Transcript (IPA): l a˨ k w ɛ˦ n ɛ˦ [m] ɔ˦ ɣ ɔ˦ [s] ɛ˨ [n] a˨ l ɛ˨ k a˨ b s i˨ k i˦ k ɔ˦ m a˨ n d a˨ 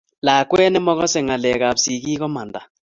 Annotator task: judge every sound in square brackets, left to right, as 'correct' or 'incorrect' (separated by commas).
correct, correct, incorrect